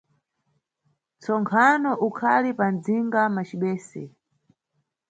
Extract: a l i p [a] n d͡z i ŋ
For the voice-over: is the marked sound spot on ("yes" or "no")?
yes